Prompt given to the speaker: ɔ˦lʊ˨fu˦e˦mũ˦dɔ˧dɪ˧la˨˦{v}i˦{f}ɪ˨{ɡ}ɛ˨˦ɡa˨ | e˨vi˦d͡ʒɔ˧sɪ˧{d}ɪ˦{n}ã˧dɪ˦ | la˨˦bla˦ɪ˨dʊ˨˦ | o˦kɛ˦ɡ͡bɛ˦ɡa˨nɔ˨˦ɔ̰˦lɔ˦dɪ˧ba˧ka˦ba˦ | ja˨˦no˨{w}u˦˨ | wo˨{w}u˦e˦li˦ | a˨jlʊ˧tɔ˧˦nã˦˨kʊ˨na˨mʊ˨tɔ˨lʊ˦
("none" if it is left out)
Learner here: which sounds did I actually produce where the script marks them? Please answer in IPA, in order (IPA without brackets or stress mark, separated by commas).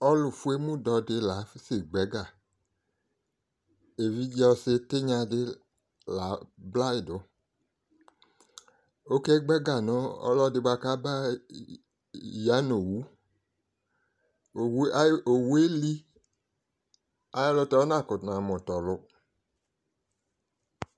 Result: f, s, ɡ͡b, t, ɲ, w, w